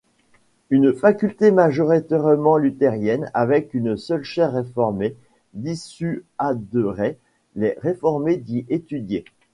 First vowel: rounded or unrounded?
rounded